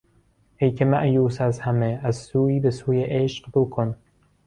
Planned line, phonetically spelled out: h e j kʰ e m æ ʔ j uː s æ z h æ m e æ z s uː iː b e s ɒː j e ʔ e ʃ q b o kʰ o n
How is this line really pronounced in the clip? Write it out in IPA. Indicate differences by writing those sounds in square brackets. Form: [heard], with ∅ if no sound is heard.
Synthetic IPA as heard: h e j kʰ e m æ ʔ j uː s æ z h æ m e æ z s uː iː b e s [uː] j e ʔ e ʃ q b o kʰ o n